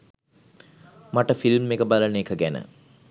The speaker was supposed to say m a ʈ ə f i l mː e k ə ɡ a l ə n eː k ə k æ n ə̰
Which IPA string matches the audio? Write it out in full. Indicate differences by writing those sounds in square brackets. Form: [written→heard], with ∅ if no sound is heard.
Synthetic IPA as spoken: m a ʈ ə f i l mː e k ə [ɡ→b] a l ə n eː k ə [k→ɡ] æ n ə̰